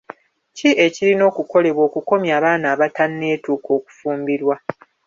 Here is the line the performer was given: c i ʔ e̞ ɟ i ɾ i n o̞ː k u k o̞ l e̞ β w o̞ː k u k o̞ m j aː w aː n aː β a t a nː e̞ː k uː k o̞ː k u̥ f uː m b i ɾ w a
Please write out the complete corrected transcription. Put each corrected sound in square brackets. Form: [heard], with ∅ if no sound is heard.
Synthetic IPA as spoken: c i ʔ e̞ [c] i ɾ i n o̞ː k u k o̞ l e̞ β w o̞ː k u k o̞ m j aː [β] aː n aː β a t a nː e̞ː [t] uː k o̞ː k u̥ f uː m b i ɾ w a

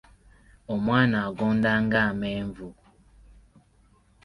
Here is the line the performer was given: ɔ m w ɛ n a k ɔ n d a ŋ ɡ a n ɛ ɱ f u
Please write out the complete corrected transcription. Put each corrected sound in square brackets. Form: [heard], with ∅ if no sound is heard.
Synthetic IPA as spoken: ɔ m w [a] n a [ɡ] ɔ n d a ŋ ɡ a [m] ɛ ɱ [v] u

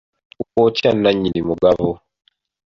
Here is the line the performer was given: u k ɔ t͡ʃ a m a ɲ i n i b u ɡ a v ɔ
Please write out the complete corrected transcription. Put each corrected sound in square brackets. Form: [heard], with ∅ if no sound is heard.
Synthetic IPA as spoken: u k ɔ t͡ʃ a [n] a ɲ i n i [m] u ɡ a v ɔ

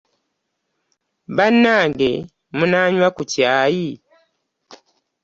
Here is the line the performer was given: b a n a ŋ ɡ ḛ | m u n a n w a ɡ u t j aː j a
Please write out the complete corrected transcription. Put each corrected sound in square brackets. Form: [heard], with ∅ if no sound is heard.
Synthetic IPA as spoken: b a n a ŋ ɡ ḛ | m u n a [ɲ] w a [k] u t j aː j [i]

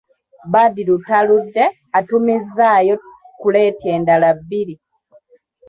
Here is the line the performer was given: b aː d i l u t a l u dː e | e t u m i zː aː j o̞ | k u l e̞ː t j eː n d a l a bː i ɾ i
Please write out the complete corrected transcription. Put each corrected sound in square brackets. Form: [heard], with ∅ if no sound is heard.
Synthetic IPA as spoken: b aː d i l u t a l u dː e | [a] t u m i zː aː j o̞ | k u l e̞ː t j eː n d a l a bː i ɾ i

